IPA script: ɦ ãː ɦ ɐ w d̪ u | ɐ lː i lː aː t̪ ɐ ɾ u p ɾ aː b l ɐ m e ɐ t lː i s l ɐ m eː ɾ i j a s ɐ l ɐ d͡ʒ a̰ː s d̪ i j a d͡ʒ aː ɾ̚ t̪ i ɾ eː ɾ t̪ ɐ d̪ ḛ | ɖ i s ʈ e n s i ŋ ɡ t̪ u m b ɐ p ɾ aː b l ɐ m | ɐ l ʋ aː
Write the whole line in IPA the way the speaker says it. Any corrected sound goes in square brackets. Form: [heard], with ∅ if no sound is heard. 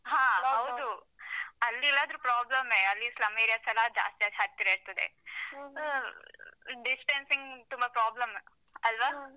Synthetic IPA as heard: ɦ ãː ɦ ɐ w d̪ u | ɐ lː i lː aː [d̪] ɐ ɾ u p ɾ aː b l ɐ m e ɐ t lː i s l ɐ m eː ɾ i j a s ɐ l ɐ d͡ʒ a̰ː s [t̪] i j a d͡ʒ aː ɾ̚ t̪ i ɾ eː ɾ t̪ ɐ d̪ ḛ | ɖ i s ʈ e n s i ŋ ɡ t̪ u m b ɐ p ɾ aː b l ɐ m | ɐ l ʋ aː